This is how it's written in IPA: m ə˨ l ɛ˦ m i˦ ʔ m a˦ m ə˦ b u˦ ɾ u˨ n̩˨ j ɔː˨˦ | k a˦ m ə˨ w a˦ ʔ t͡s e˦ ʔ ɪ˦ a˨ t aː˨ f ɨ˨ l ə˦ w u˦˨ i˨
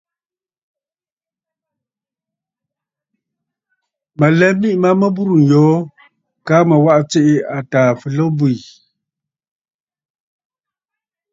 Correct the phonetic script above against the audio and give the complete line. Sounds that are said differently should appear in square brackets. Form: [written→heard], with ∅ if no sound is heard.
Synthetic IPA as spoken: m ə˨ l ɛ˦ m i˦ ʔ m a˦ m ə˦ b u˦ ɾ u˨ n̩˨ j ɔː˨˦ | k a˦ m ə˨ w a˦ ʔ t͡s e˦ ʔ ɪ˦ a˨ t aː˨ f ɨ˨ l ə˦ [w→b] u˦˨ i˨